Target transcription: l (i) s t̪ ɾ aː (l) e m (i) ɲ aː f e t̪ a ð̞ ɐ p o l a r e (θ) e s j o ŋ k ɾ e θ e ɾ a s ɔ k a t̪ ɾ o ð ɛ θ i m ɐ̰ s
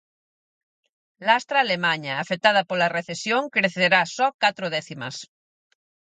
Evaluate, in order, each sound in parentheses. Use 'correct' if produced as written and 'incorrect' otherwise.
incorrect: a, correct, incorrect: a, correct

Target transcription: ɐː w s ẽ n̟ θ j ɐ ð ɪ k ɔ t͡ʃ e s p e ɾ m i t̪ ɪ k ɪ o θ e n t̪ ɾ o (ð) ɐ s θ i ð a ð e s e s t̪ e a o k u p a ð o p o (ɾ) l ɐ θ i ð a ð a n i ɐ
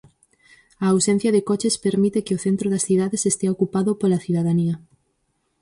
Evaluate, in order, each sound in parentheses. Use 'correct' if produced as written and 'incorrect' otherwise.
correct, incorrect: none

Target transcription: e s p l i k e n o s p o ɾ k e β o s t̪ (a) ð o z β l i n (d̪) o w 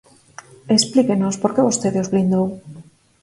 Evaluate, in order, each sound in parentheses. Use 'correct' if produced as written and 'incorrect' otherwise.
incorrect: e, correct

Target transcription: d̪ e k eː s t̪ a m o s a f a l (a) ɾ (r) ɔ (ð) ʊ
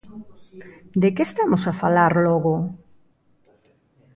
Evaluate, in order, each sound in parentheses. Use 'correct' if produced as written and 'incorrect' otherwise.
correct, incorrect: l, incorrect: ɣ

